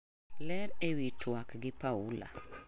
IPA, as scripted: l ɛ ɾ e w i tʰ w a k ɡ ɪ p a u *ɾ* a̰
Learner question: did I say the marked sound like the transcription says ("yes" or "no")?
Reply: no